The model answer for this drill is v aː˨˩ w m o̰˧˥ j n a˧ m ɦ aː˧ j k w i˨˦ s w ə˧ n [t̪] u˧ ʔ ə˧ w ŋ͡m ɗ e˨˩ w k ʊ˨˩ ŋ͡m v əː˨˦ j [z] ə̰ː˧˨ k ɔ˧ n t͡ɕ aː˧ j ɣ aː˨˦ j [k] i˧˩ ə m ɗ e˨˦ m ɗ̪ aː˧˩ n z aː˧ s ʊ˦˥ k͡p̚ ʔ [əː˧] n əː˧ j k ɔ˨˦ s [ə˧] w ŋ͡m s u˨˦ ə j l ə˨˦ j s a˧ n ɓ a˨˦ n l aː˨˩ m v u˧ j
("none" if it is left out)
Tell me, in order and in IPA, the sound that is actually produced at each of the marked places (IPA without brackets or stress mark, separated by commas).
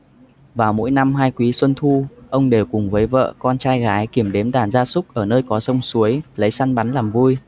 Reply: t̪ʰ, v, k, əː˧˩, ə˧